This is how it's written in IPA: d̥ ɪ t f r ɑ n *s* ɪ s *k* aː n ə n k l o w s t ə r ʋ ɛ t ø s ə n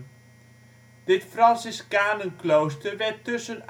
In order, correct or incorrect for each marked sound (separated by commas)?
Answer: correct, correct